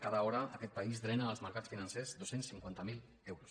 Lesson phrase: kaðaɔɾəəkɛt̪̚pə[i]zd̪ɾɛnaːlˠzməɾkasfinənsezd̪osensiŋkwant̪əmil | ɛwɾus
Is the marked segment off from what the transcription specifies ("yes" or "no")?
no